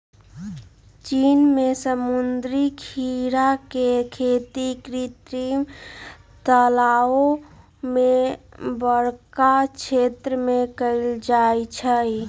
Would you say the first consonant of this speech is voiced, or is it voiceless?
voiceless